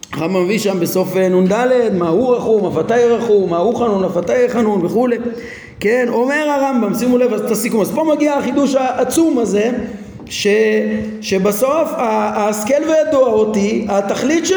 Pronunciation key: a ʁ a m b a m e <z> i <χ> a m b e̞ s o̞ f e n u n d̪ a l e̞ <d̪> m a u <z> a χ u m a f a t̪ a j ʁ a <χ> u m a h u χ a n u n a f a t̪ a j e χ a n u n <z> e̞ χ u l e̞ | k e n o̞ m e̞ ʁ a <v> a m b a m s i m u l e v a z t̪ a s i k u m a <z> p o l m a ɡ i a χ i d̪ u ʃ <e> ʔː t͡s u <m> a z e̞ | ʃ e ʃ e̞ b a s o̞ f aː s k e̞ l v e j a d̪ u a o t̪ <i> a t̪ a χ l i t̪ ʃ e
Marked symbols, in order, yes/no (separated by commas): no, no, yes, no, yes, no, no, yes, no, yes, yes